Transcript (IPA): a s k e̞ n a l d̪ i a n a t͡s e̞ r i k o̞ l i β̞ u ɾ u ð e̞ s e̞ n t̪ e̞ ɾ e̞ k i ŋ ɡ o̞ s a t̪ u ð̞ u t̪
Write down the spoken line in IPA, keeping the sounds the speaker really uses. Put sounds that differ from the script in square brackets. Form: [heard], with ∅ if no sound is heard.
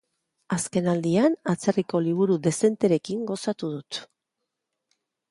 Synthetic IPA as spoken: a s k e̞ n a l d̪ i a n a t͡s e̞ r i k o̞ l i β̞ u ɾ u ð e̞ s e̞ n t̪ e̞ ɾ e̞ k i ŋ ɡ o̞ s a t̪ u ð̞ u t̪